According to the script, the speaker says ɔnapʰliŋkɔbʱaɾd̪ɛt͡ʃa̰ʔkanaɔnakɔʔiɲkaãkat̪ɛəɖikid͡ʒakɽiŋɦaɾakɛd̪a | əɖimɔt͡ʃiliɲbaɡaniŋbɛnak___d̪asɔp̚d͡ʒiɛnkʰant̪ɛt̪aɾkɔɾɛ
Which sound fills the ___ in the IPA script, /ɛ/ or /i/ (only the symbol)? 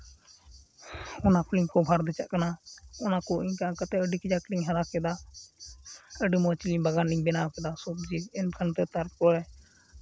ɛ